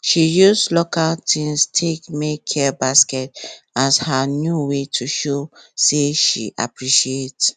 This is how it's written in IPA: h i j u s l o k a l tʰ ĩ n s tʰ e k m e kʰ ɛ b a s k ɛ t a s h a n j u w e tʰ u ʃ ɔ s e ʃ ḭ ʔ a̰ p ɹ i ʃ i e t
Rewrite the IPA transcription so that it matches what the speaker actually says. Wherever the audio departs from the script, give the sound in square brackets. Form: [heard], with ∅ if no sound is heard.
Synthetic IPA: [ʃ] i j u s l o k a l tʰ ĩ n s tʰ e k m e kʰ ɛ b a s k ɛ t a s h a n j u w e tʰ u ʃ [o] s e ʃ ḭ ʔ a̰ p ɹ i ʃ i e t